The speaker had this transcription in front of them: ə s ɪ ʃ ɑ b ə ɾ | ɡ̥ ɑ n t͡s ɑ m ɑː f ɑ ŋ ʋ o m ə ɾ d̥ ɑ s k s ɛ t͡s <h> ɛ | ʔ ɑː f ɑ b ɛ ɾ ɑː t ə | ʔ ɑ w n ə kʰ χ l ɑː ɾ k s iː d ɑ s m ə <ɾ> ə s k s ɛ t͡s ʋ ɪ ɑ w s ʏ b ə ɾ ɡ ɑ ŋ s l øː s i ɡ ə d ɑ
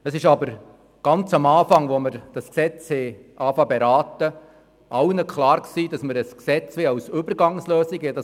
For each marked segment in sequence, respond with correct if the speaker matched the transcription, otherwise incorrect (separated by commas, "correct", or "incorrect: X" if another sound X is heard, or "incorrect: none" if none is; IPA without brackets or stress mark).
correct, correct